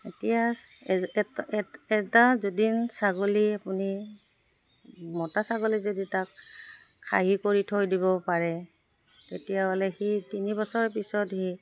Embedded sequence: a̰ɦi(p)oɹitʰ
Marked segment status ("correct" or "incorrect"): incorrect